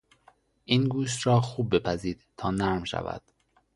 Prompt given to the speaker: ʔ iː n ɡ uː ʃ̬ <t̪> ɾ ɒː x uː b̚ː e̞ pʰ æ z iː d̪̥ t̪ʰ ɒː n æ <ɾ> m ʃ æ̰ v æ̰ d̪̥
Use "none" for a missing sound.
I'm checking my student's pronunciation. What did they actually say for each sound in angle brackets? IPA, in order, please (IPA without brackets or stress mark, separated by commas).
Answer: t̪, ɾ